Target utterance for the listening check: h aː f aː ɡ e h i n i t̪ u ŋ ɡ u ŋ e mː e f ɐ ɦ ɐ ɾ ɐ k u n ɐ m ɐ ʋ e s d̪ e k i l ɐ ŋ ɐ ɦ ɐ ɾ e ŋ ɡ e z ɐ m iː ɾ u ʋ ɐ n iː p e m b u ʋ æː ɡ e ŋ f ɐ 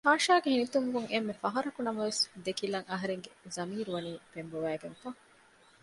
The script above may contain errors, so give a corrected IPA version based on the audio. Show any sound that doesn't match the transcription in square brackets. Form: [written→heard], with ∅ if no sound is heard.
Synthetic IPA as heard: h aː [f→ʃ] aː ɡ e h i n i t̪ u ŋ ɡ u ŋ e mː e f ɐ ɦ ɐ ɾ ɐ k u n ɐ m ɐ ʋ e s d̪ e k i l ɐ ŋ ɐ ɦ ɐ ɾ e ŋ ɡ e z ɐ m iː ɾ u ʋ ɐ n iː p e m b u ʋ æː ɡ e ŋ f ɐ